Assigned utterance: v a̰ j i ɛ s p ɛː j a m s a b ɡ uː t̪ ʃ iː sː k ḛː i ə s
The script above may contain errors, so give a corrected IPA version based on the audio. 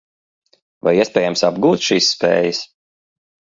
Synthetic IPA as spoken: v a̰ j i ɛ s p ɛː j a m s a b ɡ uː t̪ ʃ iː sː p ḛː j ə s